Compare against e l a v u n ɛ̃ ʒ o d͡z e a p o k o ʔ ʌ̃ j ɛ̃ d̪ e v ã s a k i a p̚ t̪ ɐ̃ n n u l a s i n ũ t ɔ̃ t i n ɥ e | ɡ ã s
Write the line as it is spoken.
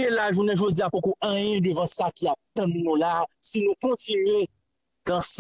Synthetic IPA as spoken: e l a ʒ u n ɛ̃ ʒ o d͡z i a p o k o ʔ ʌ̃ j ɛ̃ d̪ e v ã s a k i a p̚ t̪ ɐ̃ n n ũ l a s i n ũ k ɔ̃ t i n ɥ e | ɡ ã s